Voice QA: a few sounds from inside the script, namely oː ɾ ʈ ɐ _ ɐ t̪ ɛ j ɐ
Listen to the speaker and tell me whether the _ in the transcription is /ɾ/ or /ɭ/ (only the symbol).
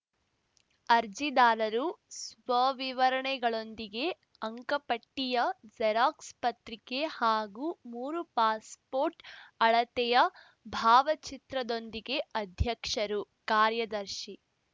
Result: ɭ